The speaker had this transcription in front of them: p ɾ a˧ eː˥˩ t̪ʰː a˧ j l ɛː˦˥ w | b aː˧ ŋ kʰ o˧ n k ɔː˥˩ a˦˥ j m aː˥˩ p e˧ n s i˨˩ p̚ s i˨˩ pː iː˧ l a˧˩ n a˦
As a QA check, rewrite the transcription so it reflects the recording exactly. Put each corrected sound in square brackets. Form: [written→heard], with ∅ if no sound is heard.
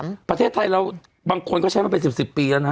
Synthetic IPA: p ɾ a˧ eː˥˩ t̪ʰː a˧ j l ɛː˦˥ w | b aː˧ ŋ kʰ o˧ n k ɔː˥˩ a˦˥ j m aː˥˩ p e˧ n s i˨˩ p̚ s i˨˩ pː iː˧ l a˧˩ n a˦